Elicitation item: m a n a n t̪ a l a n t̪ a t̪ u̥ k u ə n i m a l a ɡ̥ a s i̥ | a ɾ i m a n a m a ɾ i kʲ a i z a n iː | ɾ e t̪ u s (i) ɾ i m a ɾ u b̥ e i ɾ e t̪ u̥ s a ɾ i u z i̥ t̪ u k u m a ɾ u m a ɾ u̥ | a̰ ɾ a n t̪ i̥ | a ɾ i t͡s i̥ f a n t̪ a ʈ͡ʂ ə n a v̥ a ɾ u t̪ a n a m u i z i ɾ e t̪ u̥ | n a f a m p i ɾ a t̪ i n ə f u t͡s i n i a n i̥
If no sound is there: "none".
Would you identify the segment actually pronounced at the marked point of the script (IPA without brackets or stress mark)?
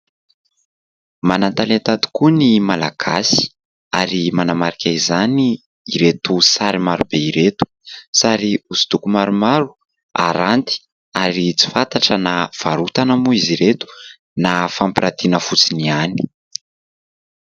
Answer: a